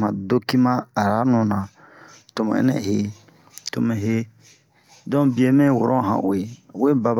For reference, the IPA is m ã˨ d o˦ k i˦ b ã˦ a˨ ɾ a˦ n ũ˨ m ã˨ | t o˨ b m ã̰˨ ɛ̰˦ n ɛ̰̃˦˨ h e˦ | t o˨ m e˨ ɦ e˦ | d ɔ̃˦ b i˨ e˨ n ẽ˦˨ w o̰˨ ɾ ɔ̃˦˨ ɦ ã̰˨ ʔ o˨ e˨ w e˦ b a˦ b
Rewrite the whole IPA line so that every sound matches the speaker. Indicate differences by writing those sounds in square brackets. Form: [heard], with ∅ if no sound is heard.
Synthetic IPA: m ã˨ d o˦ k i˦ [m] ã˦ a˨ ɾ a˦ n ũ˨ [n] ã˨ | t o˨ [∅] m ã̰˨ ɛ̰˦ n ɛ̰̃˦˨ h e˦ | t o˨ m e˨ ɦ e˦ | d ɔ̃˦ b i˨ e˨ [m] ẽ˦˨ w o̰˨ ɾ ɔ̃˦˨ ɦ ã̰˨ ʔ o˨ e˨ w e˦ b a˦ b